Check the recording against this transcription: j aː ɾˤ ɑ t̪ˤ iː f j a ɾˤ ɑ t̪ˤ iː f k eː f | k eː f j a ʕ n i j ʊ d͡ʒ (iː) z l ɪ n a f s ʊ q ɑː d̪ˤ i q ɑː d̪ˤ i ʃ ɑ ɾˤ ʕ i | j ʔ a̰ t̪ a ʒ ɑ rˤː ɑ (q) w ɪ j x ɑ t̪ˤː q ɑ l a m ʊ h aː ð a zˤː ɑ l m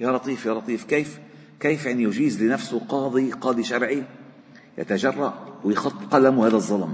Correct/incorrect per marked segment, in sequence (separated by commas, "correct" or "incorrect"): correct, incorrect